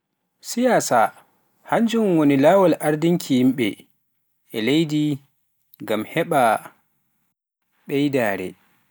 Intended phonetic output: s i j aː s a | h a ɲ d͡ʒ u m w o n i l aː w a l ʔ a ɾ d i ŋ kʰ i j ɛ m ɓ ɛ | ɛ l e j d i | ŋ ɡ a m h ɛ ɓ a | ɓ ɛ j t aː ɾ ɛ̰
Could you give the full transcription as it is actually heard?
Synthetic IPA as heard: s i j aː s a | h a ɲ d͡ʒ u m w o n i l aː w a l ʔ a ɾ d i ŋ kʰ i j i m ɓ ɛ | ɛ l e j d i | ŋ ɡ a m h ɛ ɓ a | ɓ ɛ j d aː ɾ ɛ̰